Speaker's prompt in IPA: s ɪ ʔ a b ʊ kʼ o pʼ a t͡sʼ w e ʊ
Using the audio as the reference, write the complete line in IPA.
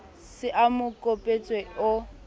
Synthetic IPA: s ɪ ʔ a m ʊ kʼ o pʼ e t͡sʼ w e ʊ